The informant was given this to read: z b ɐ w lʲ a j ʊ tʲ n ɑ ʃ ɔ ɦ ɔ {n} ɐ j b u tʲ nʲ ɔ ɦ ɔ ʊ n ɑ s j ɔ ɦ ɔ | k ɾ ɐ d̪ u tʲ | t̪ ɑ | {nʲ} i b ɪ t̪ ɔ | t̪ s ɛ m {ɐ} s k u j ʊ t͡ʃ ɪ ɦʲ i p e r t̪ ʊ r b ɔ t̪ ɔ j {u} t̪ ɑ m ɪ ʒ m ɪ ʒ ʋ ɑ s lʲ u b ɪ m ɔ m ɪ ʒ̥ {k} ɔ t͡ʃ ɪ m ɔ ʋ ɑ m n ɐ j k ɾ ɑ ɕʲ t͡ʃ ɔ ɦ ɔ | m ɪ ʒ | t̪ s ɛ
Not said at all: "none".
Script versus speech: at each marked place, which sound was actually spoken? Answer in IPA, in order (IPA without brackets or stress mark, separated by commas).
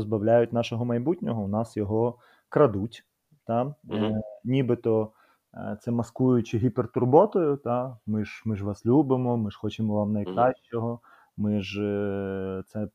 m, nʲ, ɐ, ʊ, x